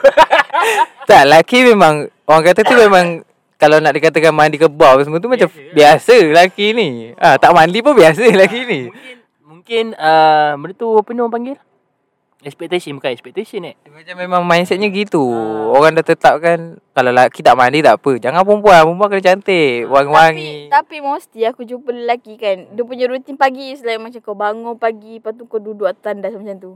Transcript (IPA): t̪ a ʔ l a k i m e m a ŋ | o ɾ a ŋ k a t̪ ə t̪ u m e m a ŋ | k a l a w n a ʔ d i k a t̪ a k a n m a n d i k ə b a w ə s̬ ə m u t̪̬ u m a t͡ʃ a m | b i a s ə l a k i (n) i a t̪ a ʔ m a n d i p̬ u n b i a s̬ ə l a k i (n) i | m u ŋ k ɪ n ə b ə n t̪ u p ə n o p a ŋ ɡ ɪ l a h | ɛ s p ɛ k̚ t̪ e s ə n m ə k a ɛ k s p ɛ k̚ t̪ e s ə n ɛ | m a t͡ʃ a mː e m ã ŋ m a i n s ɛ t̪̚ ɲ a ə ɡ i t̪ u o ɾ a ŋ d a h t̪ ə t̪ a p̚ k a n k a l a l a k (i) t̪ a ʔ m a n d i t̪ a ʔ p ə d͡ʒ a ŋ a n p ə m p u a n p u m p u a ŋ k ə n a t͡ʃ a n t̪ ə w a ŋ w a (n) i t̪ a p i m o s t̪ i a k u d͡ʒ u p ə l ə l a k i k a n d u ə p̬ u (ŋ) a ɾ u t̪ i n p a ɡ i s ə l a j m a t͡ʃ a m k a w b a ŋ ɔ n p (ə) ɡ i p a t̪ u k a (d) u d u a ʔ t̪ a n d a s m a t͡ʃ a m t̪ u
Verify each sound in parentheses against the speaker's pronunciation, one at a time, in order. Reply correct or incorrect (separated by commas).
correct, correct, correct, incorrect, incorrect, incorrect, correct